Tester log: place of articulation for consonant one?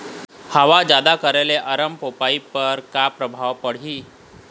glottal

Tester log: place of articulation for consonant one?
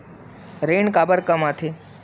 alveolar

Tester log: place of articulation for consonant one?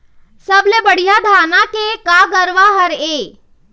alveolar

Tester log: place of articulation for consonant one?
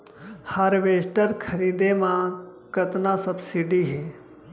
glottal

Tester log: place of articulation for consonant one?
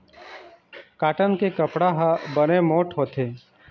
velar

